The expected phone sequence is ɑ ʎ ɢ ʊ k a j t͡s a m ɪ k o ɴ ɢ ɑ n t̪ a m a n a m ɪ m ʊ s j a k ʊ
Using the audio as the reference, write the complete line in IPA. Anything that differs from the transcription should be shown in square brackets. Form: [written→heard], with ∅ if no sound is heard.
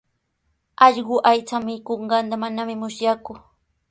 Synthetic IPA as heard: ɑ ʎ ɢ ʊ [k→ʔ] a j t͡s a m ɪ k o ɴ ɢ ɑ n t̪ a m a n a m ɪ m ʊ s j a k ʊ